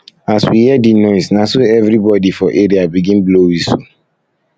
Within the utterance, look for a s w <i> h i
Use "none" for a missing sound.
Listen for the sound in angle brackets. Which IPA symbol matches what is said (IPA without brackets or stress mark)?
i